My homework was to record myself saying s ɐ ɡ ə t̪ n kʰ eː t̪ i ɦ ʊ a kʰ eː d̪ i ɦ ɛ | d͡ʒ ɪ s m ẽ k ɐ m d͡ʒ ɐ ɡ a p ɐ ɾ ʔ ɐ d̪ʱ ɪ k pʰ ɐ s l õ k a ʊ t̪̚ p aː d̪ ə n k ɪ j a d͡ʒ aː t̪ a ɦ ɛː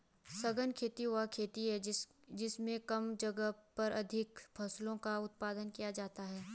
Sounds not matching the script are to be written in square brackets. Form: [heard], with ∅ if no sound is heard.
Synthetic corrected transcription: s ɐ ɡ ə [∅] n kʰ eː t̪ i ɦ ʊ a kʰ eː [t̪] i ɦ ɛ | d͡ʒ ɪ s m ẽ k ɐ m d͡ʒ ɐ ɡ [ə] p ɐ ɾ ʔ ɐ d̪ʱ ɪ k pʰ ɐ s l õ k a ʊ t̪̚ p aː d̪ ə n k [i] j a d͡ʒ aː t̪ a ɦ ɛː